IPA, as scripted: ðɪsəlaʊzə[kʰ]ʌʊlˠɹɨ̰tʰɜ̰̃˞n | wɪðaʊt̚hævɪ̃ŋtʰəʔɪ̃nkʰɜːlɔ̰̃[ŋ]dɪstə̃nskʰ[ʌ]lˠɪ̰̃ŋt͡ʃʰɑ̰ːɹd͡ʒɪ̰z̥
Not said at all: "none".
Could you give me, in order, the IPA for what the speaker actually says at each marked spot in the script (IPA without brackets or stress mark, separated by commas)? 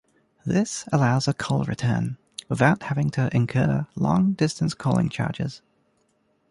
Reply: kʰ, ŋ, ɔ